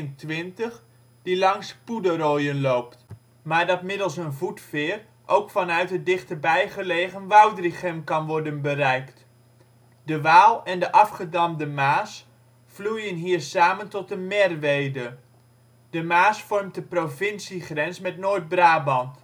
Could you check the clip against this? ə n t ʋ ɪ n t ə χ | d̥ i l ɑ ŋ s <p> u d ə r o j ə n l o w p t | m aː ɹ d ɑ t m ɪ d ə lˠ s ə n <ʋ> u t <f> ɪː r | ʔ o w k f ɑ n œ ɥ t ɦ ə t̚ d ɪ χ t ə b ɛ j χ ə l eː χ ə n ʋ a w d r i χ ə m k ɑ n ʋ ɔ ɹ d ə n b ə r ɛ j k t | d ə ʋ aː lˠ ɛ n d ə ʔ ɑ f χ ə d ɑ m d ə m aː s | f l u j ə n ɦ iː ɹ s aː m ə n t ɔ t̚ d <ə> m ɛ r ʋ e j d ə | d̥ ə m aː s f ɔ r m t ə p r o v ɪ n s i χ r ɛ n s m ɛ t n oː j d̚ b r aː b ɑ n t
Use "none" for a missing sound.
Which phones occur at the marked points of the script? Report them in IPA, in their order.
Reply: p, v, f, ə

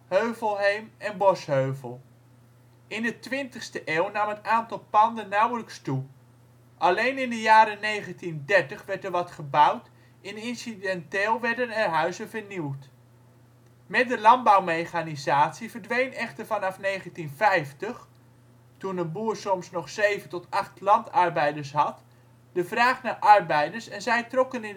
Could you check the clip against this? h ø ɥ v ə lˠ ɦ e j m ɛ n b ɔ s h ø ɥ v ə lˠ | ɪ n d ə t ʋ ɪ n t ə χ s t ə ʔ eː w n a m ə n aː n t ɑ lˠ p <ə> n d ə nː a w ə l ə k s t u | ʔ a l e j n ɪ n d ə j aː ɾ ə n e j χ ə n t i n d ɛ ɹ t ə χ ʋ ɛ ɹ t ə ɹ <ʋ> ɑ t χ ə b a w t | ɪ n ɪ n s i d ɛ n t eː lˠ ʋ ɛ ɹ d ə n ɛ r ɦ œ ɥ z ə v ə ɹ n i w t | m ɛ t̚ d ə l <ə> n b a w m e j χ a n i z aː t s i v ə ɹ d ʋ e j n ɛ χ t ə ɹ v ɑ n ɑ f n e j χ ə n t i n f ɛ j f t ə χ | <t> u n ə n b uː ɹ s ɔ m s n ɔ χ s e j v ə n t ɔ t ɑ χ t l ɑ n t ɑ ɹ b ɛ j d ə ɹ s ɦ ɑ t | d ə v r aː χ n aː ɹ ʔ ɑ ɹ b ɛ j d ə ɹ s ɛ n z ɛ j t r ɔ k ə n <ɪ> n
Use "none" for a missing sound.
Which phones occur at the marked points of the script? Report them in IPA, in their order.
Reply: ɑ, ʋ, ɑ, t, ɪ

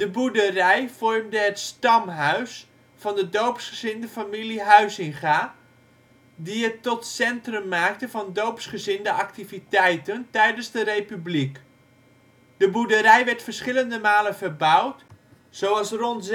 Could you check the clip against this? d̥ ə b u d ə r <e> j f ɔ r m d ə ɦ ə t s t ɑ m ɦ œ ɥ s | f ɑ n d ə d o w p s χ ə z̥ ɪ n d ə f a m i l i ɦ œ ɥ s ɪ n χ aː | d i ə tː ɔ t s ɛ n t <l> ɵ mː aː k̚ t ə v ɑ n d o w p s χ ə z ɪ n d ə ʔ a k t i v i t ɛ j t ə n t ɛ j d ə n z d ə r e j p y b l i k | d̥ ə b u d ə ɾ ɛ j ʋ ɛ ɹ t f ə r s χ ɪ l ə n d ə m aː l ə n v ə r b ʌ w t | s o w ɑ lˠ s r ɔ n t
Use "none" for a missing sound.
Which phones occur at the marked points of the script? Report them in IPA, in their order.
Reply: ɛ, r

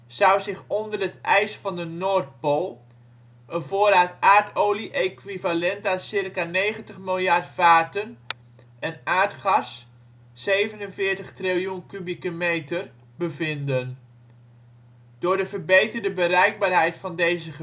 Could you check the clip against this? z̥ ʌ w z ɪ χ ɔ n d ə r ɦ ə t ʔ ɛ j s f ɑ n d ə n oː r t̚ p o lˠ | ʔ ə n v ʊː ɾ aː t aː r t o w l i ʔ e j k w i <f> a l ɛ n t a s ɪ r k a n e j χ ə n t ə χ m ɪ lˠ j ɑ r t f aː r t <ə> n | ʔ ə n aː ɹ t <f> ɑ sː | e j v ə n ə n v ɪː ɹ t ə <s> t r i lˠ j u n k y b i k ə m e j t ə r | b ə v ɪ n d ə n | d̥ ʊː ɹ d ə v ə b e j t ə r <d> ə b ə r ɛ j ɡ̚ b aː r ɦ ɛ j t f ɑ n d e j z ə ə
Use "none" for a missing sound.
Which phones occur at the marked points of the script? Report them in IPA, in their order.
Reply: v, ə, χ, χ, d

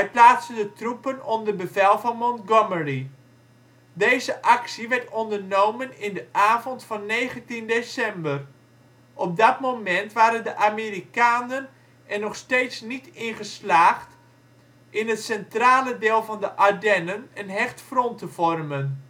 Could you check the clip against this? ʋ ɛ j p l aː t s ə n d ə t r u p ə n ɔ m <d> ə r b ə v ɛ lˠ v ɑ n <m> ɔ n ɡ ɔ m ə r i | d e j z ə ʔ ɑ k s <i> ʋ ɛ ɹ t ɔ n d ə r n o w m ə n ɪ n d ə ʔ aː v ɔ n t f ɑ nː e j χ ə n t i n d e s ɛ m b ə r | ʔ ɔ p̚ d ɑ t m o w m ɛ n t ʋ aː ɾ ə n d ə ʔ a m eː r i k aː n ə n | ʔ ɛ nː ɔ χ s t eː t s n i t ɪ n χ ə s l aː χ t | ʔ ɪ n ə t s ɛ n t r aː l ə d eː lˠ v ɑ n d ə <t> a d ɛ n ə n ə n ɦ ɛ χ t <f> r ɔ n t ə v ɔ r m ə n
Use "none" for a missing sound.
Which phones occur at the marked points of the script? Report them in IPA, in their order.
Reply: d, m, i, ʔ, f

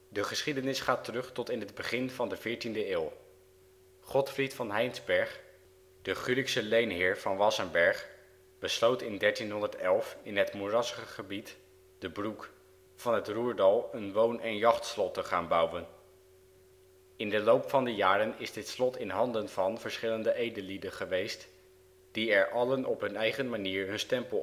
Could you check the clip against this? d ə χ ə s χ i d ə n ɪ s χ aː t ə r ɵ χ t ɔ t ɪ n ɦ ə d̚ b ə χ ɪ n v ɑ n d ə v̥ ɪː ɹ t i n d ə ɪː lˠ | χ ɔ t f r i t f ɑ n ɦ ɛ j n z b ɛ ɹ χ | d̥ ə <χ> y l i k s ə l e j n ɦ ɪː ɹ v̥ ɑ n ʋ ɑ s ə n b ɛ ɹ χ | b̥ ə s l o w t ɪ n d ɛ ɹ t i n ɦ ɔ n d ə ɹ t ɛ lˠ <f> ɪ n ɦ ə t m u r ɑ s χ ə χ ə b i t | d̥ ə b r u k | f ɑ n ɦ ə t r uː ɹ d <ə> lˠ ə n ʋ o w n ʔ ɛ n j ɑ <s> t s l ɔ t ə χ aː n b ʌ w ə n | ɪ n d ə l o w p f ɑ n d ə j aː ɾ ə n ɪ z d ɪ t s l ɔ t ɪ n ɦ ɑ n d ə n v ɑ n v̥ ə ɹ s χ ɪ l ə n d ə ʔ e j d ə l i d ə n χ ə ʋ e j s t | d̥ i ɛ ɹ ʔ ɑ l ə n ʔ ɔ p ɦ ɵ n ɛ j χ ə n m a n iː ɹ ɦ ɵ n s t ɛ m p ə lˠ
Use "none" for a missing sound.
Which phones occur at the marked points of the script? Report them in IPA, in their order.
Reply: χ, f, ɑ, χ

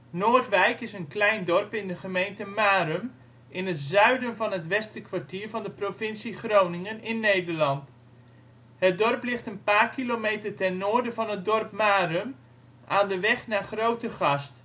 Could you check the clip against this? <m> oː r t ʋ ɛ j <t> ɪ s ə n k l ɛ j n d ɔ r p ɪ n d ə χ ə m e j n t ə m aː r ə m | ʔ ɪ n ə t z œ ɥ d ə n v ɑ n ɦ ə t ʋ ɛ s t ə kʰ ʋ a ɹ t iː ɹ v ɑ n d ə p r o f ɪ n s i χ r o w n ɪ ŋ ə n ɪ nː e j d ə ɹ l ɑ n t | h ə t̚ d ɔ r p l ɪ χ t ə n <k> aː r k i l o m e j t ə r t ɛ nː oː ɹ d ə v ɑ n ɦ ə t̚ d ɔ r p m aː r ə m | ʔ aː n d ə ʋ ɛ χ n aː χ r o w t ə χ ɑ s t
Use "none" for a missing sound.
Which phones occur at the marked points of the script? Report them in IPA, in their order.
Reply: n, k, p

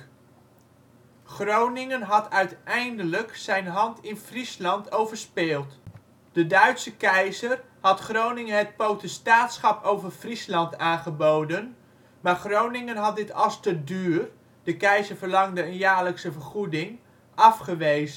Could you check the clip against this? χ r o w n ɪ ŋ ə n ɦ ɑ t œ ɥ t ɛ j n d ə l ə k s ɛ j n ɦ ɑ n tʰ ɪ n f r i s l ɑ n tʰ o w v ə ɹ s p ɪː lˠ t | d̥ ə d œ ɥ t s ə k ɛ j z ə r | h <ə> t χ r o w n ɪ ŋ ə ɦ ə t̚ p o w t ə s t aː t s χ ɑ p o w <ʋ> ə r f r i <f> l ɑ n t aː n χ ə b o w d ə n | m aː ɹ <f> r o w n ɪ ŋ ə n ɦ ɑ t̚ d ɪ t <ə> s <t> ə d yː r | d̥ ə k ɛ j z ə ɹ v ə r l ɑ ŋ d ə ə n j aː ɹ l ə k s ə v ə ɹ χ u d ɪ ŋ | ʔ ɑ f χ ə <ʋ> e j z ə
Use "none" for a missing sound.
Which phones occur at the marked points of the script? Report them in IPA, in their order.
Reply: ɑ, v, s, χ, ɑ, t, ʋ

